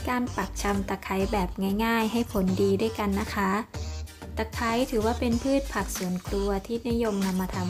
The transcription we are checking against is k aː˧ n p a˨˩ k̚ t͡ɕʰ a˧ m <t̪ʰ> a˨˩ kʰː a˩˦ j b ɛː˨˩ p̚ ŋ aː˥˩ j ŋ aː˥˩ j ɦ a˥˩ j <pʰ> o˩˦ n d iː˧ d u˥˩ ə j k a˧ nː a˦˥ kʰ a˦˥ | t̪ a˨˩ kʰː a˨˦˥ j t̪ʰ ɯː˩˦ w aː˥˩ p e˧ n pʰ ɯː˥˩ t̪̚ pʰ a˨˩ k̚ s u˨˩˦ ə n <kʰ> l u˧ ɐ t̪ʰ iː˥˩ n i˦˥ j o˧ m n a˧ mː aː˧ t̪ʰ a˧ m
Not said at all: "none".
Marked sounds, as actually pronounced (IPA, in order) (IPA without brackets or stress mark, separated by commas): t̪, pʰ, kʰ